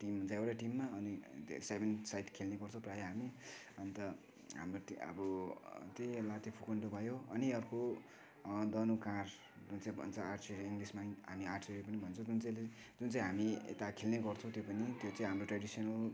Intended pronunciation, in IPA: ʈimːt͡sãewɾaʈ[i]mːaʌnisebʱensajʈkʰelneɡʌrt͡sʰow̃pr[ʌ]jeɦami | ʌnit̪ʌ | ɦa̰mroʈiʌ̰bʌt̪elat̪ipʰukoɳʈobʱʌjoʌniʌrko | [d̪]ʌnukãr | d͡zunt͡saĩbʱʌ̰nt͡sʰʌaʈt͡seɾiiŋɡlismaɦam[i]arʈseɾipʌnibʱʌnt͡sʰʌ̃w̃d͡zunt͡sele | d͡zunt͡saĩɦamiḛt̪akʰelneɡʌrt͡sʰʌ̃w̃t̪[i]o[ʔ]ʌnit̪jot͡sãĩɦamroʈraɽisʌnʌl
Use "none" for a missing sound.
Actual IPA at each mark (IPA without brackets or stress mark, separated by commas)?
i, a, d̪, i, j, p